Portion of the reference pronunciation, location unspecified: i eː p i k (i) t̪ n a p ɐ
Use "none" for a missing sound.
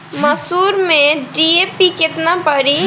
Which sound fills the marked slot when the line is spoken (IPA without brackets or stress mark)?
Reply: ɪ